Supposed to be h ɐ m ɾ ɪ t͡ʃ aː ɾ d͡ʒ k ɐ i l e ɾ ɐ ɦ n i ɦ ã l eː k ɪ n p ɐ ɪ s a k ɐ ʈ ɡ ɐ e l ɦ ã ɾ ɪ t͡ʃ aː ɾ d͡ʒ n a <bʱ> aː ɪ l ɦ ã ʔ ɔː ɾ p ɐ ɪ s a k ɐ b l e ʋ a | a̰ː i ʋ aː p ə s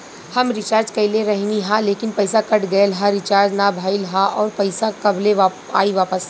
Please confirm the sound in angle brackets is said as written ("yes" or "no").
yes